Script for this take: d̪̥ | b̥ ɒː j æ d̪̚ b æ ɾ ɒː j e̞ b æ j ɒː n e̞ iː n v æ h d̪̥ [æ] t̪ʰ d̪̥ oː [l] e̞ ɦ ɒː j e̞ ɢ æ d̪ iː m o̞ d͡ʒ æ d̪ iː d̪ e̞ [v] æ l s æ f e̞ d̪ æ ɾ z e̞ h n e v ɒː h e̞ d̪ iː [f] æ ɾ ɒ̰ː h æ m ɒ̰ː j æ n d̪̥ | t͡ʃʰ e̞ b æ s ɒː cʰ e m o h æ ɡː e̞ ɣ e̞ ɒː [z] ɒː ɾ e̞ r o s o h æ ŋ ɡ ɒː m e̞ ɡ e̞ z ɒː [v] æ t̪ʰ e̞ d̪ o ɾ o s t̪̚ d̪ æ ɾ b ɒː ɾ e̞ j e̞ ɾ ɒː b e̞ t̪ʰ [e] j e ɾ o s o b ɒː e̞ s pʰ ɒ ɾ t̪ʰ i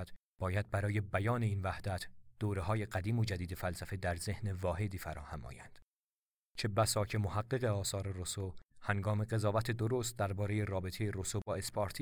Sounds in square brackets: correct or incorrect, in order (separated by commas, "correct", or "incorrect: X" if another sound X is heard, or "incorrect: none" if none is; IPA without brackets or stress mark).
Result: correct, incorrect: ɾ, incorrect: f, correct, incorrect: s, correct, correct